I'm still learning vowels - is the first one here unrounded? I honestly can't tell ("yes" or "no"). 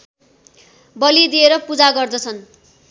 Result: yes